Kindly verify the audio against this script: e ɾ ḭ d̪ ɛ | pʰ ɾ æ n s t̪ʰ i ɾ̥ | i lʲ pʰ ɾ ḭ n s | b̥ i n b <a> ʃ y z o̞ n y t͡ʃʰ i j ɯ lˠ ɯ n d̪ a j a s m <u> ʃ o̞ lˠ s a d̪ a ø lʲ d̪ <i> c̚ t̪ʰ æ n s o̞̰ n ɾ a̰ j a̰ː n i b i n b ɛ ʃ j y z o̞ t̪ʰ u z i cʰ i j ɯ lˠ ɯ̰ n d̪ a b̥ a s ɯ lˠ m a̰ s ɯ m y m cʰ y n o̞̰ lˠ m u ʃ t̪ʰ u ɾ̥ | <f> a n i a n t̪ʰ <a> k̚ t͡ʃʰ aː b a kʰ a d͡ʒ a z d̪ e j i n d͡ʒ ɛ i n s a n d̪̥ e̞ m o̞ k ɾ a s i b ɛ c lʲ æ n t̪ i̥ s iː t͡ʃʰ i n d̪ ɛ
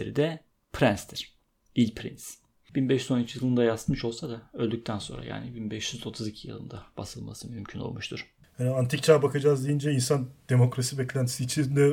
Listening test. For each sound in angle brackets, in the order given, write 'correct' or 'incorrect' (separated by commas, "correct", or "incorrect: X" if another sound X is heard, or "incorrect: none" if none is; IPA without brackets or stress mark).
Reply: incorrect: ɛ, incorrect: ɯ, incorrect: y, incorrect: h, incorrect: i